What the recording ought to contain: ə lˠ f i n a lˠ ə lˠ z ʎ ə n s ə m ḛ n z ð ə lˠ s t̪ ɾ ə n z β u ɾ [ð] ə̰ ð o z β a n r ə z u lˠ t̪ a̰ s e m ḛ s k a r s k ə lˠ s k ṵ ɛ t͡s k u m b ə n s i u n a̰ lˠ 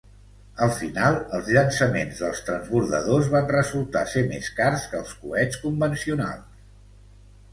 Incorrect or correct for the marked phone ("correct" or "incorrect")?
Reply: correct